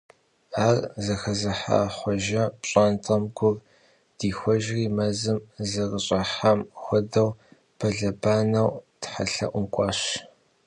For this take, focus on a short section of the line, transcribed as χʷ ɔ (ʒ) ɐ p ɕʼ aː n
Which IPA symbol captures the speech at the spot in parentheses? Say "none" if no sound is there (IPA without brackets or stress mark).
ʒ